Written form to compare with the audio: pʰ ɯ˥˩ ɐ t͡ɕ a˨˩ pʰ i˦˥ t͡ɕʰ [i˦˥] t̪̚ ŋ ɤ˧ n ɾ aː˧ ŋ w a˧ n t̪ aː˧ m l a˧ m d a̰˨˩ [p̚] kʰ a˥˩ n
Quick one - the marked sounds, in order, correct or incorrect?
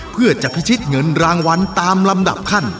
correct, correct

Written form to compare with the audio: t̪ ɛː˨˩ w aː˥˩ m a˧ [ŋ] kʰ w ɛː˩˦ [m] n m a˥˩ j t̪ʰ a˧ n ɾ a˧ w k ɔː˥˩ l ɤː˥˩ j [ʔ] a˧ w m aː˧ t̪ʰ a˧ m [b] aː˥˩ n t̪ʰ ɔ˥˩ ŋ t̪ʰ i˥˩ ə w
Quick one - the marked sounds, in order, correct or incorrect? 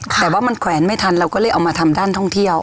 incorrect, incorrect, correct, incorrect

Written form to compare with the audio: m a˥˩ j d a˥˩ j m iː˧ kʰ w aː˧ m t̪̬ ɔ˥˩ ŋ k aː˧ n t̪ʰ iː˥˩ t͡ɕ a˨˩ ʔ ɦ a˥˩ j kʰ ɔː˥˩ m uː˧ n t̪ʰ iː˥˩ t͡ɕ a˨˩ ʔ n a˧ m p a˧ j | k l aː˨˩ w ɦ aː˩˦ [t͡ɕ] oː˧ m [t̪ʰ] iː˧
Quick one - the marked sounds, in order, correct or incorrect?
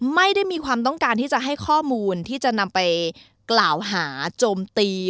correct, incorrect

